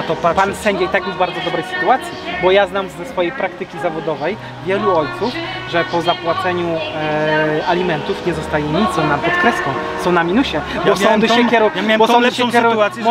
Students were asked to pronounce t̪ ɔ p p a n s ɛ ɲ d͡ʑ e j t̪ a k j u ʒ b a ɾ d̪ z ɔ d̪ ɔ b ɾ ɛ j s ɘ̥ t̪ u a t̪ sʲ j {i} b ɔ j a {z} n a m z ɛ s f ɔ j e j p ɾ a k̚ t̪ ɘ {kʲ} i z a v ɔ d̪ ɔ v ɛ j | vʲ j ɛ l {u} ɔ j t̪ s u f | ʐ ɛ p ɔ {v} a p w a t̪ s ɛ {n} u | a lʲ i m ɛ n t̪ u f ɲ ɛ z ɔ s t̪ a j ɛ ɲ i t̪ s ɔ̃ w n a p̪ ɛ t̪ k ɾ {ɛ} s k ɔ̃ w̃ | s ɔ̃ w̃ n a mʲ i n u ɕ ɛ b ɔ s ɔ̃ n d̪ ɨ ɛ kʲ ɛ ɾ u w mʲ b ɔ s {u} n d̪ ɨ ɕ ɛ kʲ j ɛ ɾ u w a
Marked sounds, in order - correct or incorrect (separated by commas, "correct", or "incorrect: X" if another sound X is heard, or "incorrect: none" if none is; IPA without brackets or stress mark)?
correct, correct, correct, correct, incorrect: z, incorrect: ɲ, correct, incorrect: ɔ